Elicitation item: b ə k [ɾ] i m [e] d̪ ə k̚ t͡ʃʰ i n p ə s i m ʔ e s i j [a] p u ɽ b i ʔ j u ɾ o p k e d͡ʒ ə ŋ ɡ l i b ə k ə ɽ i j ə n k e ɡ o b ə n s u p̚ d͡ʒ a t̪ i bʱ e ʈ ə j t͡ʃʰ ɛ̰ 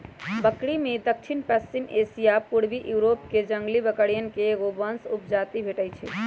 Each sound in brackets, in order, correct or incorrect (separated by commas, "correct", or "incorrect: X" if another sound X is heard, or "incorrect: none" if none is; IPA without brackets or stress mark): incorrect: ɽ, correct, correct